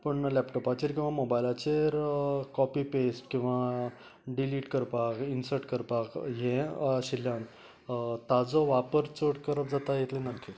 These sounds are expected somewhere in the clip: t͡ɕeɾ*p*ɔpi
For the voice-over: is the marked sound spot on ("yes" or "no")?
no